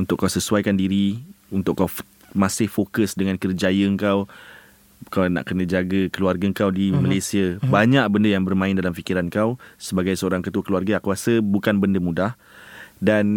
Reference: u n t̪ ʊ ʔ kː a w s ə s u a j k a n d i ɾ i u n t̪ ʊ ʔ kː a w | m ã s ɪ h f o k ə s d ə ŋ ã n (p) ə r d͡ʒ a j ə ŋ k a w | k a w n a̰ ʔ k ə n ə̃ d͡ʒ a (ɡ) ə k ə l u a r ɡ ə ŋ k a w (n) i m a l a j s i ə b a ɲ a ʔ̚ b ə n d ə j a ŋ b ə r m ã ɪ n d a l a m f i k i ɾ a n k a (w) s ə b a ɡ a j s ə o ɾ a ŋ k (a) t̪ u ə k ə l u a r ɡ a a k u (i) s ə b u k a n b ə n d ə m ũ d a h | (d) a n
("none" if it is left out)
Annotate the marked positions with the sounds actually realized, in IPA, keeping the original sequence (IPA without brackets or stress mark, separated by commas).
k, ɡ, d, w, ə, a, d